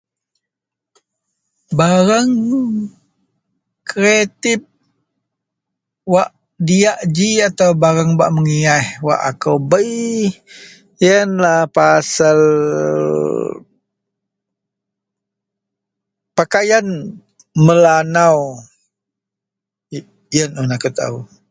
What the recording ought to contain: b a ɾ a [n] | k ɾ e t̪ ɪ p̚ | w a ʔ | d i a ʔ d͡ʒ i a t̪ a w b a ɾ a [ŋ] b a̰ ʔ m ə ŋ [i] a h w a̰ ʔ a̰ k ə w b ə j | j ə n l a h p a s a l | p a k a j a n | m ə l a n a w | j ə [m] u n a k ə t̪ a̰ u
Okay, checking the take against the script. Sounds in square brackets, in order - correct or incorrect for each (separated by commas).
incorrect, correct, correct, incorrect